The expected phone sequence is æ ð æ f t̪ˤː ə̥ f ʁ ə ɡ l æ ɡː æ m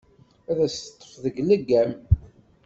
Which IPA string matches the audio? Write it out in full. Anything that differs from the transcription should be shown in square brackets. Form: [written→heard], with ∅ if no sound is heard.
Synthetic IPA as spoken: æ ð æ [f→s] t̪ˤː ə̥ f [ʁ→ð] ə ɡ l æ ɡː æ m